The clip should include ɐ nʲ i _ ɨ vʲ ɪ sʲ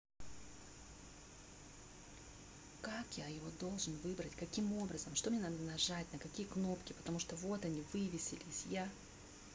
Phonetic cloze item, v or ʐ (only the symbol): v